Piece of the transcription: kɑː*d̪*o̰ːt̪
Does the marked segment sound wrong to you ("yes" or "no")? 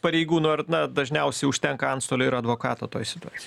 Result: yes